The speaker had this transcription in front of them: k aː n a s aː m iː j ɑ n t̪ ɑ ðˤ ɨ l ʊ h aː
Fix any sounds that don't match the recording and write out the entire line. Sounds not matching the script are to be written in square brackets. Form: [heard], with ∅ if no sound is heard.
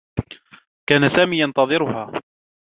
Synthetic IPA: k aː n a s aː m iː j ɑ n t̪ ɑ ðˤ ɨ [ɾ] ʊ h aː